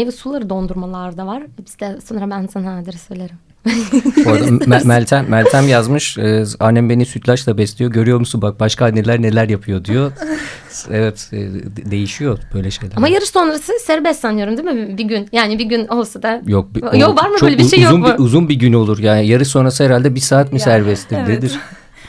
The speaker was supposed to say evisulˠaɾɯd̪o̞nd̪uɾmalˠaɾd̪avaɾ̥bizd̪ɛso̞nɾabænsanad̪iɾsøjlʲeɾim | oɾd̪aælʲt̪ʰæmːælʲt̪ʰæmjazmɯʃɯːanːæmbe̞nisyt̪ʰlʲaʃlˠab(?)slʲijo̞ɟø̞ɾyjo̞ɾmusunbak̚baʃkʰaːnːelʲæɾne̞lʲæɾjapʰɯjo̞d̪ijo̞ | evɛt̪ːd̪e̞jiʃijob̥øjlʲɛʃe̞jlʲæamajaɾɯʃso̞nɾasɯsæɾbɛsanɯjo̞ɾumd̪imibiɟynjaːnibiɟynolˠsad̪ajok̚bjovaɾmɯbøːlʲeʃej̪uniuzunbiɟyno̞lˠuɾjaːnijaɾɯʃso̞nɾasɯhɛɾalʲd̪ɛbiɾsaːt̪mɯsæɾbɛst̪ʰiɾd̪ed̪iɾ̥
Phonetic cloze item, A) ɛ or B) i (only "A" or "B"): A